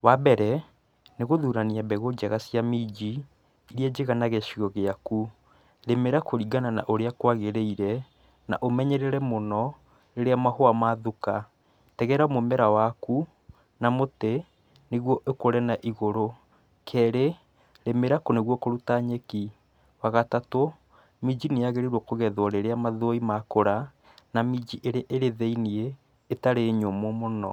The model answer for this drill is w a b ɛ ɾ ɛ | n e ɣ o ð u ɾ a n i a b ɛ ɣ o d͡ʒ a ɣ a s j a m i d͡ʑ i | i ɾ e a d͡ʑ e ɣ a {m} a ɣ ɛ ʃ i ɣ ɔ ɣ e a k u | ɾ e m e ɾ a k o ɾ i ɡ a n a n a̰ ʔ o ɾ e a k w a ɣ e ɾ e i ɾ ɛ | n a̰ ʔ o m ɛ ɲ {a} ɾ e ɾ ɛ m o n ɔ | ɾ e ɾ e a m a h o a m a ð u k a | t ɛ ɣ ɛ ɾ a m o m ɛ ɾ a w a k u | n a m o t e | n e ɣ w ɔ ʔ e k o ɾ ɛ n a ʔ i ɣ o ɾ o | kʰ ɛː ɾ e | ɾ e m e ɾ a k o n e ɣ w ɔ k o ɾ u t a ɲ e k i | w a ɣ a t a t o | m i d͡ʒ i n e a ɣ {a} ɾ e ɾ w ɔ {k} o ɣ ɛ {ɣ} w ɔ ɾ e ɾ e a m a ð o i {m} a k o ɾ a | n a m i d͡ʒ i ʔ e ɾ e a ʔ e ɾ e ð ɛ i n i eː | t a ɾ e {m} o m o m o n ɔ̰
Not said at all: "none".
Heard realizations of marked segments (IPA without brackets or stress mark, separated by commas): n, ɛ, e, k, ð, m, ɲ